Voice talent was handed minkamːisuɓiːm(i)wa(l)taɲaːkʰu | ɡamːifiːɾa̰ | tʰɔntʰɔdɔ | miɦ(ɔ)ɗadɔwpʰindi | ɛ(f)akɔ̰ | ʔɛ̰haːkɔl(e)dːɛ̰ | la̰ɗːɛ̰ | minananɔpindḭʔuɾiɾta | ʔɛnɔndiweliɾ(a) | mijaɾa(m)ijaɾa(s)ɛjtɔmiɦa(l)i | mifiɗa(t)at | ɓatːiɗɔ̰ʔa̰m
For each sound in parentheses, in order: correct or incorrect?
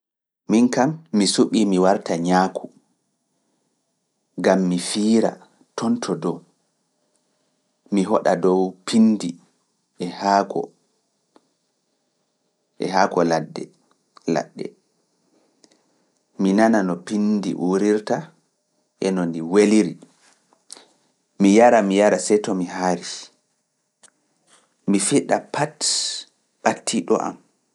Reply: correct, incorrect, correct, incorrect, incorrect, incorrect, correct, correct, incorrect, incorrect

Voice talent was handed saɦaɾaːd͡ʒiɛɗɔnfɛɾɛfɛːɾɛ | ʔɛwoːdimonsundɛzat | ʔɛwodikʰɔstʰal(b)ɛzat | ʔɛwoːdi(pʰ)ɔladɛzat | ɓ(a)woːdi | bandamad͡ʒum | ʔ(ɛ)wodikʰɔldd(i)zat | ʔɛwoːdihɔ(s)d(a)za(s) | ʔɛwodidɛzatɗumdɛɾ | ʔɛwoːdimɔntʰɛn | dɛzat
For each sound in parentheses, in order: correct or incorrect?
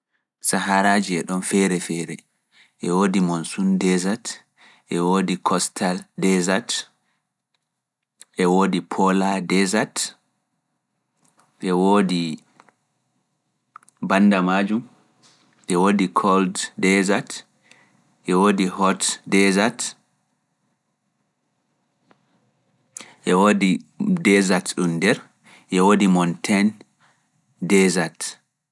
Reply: incorrect, correct, incorrect, correct, incorrect, incorrect, incorrect, incorrect

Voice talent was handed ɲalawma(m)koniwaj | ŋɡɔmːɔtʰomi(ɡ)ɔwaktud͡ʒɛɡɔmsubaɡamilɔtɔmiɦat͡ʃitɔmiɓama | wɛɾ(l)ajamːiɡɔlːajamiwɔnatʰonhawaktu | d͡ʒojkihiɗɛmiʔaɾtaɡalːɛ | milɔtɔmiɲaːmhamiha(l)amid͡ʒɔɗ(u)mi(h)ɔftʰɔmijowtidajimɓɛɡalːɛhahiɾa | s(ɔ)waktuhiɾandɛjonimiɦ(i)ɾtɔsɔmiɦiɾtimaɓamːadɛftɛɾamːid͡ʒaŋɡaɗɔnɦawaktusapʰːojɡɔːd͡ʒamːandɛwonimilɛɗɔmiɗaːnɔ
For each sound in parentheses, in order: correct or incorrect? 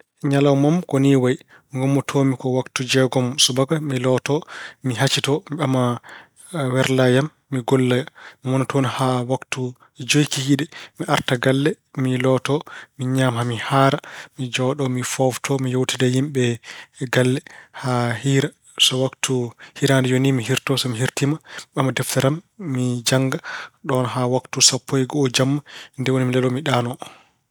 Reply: correct, incorrect, correct, incorrect, incorrect, incorrect, correct, correct

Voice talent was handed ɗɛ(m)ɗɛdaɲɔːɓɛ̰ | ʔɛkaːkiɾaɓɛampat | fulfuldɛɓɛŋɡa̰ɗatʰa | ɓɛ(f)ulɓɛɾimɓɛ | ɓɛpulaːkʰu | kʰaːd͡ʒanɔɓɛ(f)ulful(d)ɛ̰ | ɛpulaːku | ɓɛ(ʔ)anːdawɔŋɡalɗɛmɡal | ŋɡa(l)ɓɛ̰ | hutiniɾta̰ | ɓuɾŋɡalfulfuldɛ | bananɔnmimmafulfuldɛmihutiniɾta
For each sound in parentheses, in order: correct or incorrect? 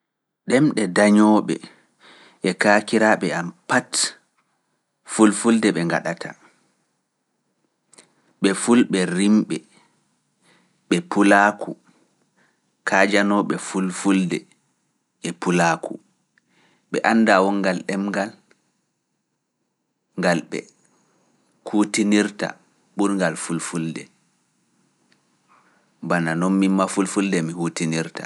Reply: correct, correct, correct, correct, correct, correct

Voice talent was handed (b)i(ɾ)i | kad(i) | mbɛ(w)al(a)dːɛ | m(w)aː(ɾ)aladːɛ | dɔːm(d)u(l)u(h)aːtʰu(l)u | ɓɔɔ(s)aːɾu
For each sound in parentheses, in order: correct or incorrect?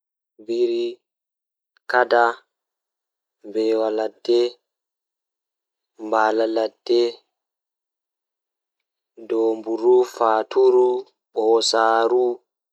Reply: correct, correct, incorrect, correct, correct, incorrect, incorrect, incorrect, incorrect, incorrect, incorrect, correct

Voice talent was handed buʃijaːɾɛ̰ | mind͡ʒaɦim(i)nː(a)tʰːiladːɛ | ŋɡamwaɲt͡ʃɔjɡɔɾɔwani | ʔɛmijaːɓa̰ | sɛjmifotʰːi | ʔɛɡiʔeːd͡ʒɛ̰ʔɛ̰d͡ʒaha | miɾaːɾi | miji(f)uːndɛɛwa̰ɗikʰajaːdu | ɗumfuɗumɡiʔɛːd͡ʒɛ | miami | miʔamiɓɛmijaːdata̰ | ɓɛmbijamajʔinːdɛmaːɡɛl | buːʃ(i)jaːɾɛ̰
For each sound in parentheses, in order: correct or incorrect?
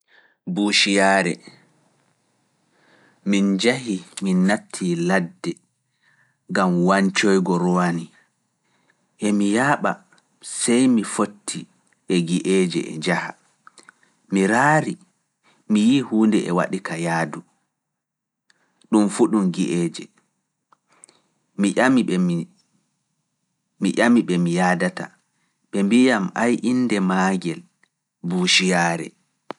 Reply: correct, correct, incorrect, correct

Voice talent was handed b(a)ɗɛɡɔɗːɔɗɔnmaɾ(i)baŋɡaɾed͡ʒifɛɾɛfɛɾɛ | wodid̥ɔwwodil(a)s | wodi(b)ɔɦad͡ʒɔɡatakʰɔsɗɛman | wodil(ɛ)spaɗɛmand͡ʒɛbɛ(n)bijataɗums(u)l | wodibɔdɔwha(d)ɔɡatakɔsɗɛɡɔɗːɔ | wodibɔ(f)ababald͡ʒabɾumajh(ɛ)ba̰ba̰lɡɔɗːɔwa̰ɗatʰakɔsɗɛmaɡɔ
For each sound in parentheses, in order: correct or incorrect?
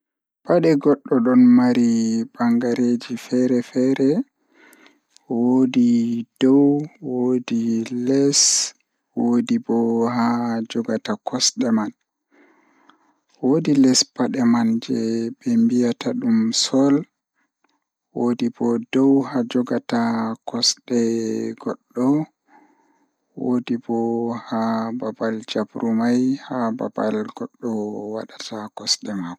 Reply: correct, correct, incorrect, correct, correct, incorrect, incorrect, incorrect, incorrect, incorrect

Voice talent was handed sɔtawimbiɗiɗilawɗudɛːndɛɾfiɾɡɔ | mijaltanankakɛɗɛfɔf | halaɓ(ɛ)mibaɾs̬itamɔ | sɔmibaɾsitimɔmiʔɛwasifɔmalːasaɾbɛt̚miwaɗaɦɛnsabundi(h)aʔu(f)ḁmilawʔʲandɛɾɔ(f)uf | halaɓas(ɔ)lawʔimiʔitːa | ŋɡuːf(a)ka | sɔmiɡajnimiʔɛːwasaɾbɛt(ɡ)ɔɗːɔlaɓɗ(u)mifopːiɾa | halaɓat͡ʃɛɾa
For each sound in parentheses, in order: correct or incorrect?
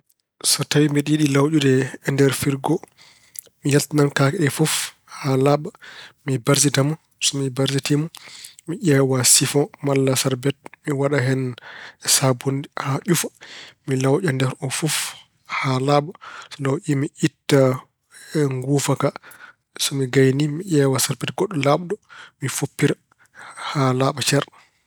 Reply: incorrect, correct, correct, correct, correct, correct, correct, incorrect

